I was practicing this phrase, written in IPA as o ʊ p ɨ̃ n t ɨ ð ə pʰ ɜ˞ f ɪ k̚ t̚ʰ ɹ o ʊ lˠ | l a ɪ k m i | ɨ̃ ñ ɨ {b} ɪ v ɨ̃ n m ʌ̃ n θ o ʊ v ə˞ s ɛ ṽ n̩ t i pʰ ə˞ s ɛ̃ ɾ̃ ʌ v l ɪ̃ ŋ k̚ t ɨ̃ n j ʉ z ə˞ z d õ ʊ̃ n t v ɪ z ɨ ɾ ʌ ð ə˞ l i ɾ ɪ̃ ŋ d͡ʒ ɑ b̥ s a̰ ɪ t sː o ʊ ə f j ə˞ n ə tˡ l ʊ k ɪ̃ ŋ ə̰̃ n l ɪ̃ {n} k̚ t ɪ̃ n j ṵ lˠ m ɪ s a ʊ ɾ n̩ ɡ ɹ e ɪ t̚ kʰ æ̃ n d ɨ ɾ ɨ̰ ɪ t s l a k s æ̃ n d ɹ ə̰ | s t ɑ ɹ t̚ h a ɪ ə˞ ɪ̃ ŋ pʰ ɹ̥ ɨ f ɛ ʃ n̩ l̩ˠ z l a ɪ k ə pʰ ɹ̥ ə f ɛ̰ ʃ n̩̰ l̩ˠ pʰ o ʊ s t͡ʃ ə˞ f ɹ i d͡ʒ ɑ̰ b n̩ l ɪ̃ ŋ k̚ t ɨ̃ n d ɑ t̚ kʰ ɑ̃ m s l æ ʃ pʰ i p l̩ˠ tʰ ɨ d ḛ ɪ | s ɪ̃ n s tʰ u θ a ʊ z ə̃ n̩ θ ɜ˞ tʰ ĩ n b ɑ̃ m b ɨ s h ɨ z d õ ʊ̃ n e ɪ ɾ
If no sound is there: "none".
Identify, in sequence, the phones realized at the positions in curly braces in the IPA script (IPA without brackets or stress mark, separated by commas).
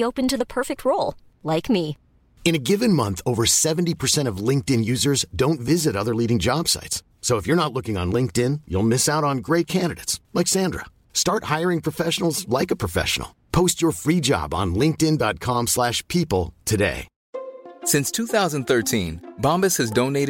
ɡ, ŋ